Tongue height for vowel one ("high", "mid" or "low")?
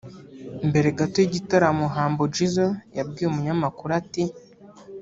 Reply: mid